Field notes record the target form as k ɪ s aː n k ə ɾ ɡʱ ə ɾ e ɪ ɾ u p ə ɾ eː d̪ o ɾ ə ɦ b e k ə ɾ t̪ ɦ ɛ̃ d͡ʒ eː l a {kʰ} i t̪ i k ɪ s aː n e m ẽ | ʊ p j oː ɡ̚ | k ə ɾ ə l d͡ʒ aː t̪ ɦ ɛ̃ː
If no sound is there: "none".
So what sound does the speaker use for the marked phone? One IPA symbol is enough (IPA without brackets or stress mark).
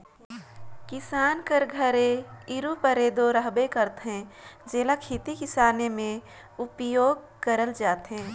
kʰ